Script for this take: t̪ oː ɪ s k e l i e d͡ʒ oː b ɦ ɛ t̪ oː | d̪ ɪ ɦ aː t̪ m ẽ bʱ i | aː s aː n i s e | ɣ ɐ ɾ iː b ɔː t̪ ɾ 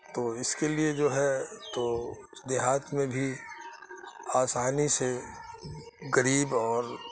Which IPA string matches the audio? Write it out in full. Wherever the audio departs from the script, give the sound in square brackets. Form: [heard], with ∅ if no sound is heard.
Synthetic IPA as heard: t̪ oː ɪ s k e l i e d͡ʒ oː [∅] ɦ ɛ t̪ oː | d̪ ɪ ɦ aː t̪ m ẽ bʱ i | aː s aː n i s e | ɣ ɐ ɾ iː b ɔː [∅] ɾ